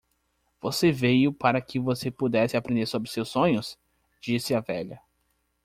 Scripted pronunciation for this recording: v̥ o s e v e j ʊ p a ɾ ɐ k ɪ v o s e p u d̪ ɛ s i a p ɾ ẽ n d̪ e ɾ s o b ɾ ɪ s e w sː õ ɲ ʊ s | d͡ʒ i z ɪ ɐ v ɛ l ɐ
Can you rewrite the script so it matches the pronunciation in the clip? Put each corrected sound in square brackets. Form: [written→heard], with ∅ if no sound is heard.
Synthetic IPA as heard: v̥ o s e v e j ʊ p a ɾ ɐ k ɪ v o s e p u d̪ ɛ s [i→ɪ] a p ɾ ẽ n d̪ e ɾ s o b ɾ ɪ s e w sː õ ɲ ʊ s | d͡ʒ i [z→s] ɪ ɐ v ɛ [l→ʎ] ɐ